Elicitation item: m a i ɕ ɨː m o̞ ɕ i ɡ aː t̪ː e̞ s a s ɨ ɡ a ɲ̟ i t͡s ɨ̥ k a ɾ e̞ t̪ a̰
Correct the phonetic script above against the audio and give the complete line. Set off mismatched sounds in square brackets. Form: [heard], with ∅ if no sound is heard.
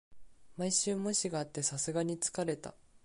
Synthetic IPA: m a i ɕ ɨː m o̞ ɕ i ɡ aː t̪ː e̞ s a s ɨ ɡ a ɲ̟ i t͡s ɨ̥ k a ɾ e̞ t̪ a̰